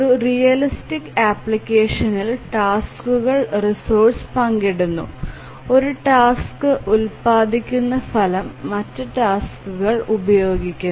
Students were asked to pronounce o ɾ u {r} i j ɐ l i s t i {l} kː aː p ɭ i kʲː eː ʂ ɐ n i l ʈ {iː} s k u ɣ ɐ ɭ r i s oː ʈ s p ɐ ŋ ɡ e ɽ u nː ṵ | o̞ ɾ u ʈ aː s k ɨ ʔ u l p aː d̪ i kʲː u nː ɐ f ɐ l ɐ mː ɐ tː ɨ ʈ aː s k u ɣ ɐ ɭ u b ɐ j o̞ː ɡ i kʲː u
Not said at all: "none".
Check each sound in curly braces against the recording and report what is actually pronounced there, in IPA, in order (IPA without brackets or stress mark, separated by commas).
r, none, aː